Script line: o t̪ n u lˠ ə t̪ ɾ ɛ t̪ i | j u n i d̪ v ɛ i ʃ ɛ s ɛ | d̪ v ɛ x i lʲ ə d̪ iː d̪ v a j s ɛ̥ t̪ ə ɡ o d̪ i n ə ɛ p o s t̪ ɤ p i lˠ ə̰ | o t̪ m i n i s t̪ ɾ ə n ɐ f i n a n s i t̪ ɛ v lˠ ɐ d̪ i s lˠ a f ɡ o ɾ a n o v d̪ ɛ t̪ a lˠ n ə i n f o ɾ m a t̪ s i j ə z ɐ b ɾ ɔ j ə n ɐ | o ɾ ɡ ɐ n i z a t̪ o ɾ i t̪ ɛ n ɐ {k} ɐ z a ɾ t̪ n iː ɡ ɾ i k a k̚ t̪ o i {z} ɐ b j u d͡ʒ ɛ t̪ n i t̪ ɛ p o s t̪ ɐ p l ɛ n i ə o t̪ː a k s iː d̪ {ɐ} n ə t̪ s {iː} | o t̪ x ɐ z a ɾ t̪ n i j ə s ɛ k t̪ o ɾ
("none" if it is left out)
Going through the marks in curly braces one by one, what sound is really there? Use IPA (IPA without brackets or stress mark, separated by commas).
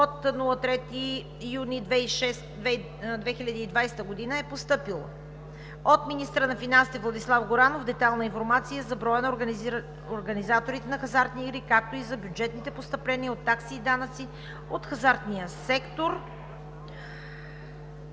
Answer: x, z, a, i